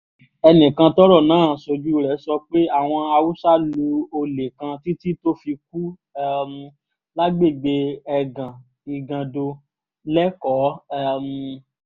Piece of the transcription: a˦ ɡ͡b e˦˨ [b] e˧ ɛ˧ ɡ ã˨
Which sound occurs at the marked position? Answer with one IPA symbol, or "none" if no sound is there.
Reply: ɡ͡b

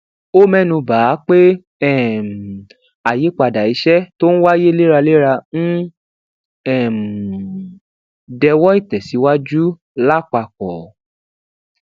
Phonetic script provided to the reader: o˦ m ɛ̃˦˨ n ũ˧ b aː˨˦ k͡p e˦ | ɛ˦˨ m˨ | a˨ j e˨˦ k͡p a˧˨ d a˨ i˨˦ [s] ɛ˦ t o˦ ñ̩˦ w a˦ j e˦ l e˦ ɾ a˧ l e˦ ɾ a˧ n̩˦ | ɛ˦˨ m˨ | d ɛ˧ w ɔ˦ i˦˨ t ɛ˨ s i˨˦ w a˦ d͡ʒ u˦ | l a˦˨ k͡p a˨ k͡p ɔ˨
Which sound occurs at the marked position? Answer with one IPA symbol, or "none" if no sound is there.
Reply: ʃ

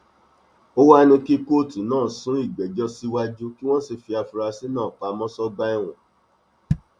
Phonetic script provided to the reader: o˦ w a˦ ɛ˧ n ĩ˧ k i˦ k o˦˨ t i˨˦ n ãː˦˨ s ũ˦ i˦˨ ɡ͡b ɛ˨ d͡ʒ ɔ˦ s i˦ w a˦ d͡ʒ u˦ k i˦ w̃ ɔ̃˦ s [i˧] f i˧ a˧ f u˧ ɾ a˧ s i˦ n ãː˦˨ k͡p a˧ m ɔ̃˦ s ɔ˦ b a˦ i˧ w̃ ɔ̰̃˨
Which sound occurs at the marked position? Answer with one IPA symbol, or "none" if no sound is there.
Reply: i˧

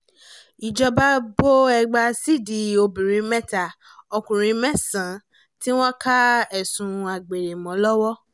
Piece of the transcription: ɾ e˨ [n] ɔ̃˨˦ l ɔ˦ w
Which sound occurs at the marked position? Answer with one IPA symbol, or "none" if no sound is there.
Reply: m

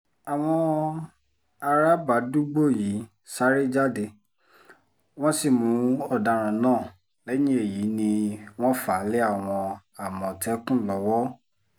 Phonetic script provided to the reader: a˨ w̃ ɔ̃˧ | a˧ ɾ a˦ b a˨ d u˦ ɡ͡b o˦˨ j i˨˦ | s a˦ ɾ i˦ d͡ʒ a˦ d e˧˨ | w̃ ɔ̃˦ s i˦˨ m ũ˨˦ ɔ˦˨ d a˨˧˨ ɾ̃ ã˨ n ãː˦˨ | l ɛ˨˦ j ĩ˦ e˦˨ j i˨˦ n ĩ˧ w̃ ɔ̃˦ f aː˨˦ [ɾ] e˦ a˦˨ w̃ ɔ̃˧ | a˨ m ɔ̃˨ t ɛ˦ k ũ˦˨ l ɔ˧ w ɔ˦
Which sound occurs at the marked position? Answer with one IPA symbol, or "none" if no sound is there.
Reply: l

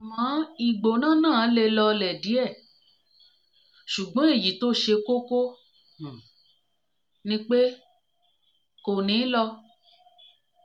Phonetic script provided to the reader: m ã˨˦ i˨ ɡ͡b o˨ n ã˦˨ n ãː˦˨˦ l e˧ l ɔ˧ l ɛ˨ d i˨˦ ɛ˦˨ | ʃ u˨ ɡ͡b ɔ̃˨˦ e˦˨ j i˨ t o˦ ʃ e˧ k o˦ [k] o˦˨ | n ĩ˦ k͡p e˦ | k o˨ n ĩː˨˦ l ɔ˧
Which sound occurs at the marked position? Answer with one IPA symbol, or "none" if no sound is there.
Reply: k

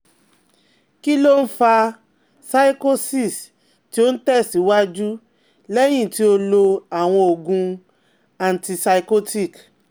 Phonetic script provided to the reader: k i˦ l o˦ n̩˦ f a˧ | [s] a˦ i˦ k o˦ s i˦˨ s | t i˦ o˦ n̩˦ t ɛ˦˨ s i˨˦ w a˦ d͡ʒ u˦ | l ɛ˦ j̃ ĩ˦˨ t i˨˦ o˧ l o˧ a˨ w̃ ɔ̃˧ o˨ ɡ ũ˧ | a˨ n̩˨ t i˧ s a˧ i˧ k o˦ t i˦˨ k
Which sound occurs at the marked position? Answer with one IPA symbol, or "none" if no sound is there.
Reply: s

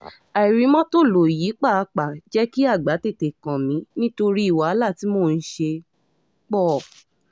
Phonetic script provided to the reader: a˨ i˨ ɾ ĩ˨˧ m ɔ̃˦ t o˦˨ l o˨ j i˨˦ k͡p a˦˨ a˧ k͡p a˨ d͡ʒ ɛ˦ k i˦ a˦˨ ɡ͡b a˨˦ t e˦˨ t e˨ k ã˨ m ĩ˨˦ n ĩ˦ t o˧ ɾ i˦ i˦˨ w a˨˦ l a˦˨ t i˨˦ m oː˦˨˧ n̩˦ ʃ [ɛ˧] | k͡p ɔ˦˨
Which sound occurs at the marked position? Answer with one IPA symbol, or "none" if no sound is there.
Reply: e˧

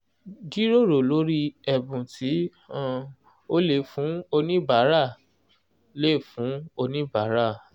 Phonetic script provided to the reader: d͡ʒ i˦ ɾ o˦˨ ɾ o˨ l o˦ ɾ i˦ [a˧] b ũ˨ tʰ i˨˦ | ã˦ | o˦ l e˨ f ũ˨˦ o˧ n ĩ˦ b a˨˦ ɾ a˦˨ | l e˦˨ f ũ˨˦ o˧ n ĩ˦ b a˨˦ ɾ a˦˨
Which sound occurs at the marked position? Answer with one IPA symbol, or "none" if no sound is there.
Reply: ɛ˧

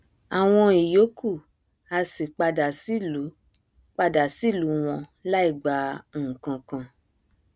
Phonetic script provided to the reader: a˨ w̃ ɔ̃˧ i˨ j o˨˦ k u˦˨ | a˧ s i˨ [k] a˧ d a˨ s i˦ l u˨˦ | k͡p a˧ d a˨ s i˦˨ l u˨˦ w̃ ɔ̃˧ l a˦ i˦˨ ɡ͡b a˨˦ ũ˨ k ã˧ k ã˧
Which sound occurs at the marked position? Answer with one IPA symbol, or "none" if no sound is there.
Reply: k͡p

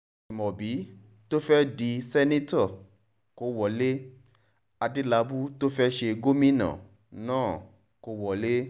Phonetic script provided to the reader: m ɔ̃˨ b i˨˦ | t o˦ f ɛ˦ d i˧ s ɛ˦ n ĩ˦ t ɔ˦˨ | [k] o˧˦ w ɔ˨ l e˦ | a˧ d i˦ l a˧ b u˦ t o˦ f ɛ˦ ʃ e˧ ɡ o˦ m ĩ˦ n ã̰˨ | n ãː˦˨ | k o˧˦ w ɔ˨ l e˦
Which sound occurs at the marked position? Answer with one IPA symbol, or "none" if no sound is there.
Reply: k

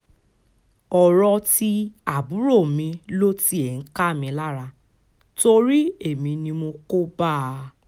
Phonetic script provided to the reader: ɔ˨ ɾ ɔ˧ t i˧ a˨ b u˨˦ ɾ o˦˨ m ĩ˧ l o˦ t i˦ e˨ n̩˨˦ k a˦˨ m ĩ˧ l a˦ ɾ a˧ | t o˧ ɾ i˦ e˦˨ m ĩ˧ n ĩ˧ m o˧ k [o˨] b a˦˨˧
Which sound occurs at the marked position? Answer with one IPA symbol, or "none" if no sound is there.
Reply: o˦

